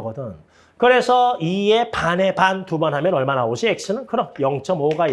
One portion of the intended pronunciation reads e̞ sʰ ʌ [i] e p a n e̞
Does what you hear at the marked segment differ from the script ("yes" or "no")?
no